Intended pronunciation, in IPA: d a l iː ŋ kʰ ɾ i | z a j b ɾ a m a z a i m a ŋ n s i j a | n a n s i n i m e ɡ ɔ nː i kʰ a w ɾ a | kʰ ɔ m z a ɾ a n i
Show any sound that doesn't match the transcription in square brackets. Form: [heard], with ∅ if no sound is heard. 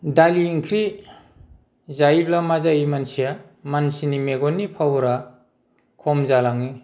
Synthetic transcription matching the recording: d a l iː ŋ kʰ ɾ i | z a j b [l] a m a z a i m a [∅] n s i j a | [m] a n s i n i m e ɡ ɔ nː i [pʰ] a w ɾ a | kʰ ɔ m z a [l] a [ŋ] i